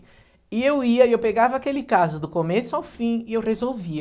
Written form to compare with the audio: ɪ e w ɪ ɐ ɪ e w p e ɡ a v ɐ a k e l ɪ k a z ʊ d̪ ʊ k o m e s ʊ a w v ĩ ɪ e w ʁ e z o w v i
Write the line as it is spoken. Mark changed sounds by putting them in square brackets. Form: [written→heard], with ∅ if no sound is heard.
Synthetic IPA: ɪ e w [ɪ→i] ɐ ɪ e w p e ɡ a v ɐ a k e l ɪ k a z ʊ d̪ ʊ k o m e s ʊ a w [v→f] ĩ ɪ e w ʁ e z o w v i